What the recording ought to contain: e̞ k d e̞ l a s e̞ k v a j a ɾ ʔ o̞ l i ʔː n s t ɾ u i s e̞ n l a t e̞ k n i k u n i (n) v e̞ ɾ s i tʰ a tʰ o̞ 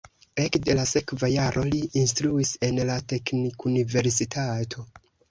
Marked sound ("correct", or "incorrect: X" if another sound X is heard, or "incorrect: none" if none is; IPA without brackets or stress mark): incorrect: none